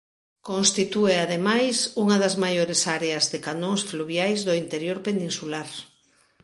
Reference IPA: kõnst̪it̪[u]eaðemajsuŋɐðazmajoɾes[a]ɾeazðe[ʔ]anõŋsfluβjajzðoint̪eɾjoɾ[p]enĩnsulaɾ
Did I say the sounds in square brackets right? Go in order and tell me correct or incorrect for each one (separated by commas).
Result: correct, correct, incorrect, correct